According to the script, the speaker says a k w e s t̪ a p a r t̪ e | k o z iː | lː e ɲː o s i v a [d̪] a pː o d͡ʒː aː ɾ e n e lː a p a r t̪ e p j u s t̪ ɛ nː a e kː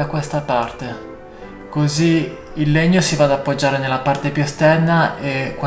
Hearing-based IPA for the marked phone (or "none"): d̪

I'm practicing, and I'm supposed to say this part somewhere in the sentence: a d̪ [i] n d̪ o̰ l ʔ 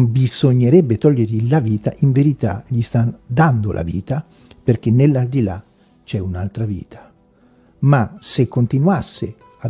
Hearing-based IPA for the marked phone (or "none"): a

